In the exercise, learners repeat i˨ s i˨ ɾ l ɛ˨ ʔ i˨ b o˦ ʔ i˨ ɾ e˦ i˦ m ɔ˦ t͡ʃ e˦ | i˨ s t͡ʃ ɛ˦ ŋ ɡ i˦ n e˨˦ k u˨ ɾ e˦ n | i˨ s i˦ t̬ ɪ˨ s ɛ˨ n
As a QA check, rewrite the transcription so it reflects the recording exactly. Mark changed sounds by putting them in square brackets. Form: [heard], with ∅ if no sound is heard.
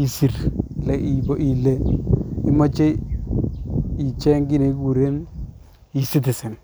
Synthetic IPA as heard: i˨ s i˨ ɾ l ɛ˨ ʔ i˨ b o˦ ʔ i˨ [l] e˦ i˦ m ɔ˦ t͡ʃ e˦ | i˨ [∅] t͡ʃ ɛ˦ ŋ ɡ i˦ n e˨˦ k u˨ ɾ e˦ n | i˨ s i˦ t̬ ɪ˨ s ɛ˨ n